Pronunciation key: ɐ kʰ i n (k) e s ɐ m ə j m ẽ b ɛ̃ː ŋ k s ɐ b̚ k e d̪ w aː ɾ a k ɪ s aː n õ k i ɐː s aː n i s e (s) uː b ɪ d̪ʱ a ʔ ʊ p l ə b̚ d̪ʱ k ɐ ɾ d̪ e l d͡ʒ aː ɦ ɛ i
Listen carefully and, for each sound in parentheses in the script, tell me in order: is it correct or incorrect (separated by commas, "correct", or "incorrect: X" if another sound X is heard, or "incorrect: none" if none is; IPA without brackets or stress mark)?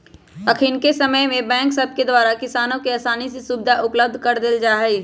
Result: correct, correct